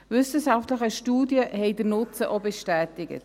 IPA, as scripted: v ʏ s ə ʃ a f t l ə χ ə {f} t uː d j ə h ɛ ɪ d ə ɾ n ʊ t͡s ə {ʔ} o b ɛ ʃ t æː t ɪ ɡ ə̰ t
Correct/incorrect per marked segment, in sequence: incorrect: ʃ, correct

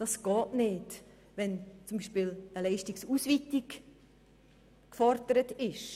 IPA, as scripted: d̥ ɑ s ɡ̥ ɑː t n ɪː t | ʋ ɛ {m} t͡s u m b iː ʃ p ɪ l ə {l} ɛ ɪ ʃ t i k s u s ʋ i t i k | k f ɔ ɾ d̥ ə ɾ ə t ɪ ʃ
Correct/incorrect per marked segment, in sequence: incorrect: n, correct

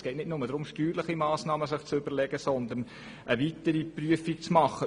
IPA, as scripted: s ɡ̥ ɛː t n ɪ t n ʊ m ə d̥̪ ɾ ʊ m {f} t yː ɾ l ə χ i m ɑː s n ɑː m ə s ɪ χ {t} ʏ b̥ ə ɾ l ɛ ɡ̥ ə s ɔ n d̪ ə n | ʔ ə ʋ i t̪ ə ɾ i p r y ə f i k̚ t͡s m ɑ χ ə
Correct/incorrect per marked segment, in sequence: incorrect: ʃ, incorrect: t͡s

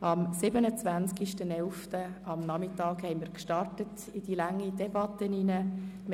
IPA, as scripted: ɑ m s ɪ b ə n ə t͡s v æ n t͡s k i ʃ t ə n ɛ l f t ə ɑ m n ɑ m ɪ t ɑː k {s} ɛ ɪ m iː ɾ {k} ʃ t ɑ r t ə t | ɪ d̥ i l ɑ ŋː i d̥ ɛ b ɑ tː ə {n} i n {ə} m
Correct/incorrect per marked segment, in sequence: incorrect: h, correct, correct, correct

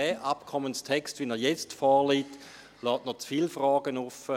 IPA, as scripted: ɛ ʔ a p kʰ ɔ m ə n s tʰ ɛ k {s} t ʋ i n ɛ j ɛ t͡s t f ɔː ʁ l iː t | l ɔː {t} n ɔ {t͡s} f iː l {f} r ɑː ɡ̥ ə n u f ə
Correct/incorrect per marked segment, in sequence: correct, correct, correct, correct

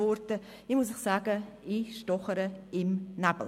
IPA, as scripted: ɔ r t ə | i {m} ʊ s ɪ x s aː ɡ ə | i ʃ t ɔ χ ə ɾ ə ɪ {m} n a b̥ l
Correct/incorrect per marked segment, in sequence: correct, correct

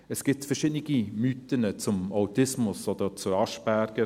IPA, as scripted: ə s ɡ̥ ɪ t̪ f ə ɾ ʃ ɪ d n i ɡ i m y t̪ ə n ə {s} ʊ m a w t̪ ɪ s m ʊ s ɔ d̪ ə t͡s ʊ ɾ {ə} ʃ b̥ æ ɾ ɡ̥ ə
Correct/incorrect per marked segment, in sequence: incorrect: t͡s, incorrect: ɑ

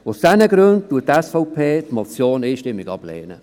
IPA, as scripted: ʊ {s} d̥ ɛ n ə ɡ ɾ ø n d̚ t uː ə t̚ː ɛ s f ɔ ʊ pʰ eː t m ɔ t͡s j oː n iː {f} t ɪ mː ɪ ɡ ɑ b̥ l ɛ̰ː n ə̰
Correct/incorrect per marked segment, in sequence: correct, incorrect: ʃ

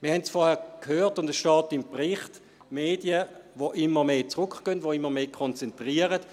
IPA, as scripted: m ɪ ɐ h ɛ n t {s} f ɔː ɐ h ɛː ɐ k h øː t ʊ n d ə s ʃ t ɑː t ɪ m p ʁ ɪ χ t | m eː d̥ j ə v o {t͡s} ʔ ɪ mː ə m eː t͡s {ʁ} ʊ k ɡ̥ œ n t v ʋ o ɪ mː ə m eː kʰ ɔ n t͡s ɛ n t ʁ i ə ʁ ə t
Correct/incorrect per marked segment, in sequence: correct, incorrect: none, correct

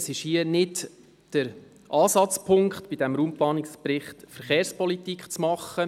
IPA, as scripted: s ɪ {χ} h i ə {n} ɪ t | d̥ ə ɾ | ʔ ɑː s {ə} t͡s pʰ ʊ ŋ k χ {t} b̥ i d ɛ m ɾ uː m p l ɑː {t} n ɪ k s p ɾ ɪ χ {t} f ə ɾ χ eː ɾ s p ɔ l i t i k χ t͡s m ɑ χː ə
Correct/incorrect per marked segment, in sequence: incorrect: ʃ, correct, incorrect: ɑ, correct, incorrect: none, correct

